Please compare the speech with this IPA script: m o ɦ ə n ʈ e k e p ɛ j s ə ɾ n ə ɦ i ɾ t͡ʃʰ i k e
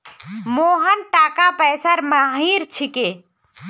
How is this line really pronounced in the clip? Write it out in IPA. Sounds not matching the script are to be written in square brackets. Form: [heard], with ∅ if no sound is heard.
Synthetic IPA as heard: m o ɦ ə n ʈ [a] k [a] p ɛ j s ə ɾ [m] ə ɦ i ɾ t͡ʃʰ i k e